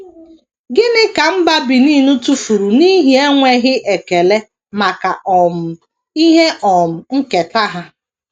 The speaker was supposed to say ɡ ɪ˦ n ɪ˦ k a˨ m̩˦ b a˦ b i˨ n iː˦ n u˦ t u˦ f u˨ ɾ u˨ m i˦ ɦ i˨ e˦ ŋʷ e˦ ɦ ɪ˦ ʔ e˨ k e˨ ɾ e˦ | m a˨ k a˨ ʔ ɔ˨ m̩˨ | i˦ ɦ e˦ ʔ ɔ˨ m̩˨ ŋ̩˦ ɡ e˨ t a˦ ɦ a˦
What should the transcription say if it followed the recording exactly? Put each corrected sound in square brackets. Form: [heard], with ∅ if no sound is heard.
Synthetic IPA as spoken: ɡ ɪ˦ n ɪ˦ k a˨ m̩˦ b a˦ b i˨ n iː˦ n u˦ t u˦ f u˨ ɾ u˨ [n] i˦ ɦ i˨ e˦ ŋʷ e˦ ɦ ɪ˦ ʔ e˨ k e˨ [l] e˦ | m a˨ k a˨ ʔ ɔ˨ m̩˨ | i˦ ɦ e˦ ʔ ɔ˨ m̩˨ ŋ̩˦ [k] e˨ t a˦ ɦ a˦